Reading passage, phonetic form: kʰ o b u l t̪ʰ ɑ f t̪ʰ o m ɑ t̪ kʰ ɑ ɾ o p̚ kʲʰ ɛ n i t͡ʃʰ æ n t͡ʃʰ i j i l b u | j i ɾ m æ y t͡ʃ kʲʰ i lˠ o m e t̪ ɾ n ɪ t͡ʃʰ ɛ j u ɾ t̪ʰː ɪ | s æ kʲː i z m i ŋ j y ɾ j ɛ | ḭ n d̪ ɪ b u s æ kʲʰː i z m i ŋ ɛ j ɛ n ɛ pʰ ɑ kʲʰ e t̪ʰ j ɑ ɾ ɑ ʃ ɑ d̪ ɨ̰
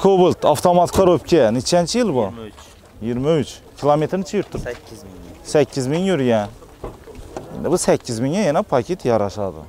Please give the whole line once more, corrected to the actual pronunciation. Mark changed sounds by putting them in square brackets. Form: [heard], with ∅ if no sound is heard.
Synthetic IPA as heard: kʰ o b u l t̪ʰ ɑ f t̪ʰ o m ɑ t̪ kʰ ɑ ɾ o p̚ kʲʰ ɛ n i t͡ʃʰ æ n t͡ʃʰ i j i l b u | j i ɾ m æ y t͡ʃ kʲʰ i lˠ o m e t̪ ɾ n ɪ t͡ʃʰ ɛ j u ɾ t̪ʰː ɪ | s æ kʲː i z m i ŋ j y ɾ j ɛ | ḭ n d̪ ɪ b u s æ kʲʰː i z m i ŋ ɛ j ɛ n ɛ pʰ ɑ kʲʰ e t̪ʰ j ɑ ɾ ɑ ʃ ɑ d̪ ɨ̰